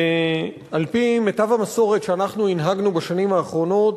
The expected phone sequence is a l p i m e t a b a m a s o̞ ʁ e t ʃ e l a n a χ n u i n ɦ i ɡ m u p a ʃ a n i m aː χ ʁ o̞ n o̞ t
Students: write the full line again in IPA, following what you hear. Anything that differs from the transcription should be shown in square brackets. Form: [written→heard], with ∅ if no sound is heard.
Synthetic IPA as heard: a l p i m e t a [b→v] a m a s o̞ ʁ e t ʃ e [l→∅] a n a χ n u i n ɦ [i→a] ɡ [m→n] u [p→b] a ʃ a n i m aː χ ʁ o̞ n o̞ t